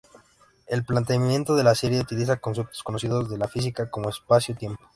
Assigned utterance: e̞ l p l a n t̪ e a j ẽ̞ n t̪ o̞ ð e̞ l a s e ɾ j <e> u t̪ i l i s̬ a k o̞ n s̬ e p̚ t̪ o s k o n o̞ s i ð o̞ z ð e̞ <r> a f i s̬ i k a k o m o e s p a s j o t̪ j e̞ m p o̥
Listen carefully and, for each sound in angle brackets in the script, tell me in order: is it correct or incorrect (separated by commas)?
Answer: correct, incorrect